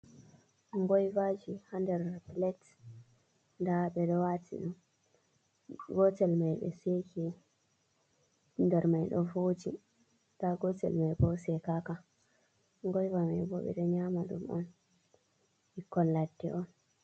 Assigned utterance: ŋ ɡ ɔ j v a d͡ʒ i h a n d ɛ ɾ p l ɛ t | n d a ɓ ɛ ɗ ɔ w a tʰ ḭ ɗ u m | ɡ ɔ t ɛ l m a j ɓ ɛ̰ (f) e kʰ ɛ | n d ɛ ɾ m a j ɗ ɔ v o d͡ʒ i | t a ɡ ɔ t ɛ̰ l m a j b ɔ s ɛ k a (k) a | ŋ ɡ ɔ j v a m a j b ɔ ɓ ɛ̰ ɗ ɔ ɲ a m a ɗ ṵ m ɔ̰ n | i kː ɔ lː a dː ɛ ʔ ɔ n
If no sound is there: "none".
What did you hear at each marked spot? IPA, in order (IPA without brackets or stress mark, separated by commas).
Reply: s, k